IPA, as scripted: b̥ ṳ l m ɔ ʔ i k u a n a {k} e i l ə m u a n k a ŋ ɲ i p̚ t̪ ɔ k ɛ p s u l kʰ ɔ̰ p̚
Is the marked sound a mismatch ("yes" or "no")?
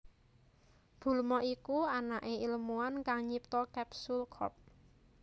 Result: yes